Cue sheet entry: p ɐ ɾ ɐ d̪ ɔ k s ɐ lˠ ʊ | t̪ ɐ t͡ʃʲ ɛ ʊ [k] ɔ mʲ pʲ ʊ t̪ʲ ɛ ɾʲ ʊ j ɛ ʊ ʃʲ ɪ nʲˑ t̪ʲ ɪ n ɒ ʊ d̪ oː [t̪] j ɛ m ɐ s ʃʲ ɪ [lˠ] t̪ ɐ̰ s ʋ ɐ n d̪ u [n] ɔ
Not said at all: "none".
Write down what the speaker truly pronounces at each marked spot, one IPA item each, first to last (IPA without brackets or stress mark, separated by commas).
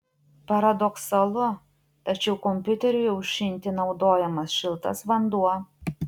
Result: k, none, lˠ, none